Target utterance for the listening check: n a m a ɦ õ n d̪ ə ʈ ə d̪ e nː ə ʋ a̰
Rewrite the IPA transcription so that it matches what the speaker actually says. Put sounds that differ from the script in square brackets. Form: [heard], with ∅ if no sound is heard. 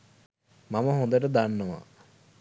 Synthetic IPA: [m] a m [ə] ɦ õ n d̪ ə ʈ ə d̪ [a] nː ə ʋ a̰